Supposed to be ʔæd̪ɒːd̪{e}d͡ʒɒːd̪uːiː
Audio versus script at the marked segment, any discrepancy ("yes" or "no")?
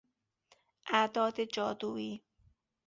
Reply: no